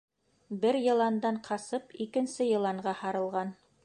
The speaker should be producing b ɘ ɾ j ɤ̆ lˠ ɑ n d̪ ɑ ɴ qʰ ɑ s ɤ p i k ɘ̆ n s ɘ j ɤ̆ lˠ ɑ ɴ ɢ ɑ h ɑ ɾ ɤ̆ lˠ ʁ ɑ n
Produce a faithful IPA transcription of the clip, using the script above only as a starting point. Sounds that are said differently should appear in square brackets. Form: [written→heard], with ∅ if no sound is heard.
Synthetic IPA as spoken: b ɘ ɾ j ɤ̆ lˠ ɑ n d̪ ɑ ɴ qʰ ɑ s ɤ p i k ɘ̆ n s ɘ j ɤ̆ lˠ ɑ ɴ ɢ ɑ h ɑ ɾ ɤ̆ lˠ ʁ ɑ n